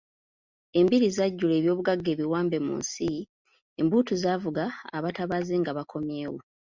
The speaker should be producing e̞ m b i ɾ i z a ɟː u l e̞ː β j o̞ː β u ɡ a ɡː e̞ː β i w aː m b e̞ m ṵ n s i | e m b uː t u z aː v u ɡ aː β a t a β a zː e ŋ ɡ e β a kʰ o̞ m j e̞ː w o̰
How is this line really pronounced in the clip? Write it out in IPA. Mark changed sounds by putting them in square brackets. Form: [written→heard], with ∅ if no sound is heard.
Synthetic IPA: e̞ m b i ɾ i z a ɟː u l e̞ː β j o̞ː β u ɡ a ɡː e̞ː β i w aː m b e̞ m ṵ n s i | e m b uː t u z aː v u ɡ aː β a t a β a [zː→z] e ŋ ɡ [e→a] β a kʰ o̞ m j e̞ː w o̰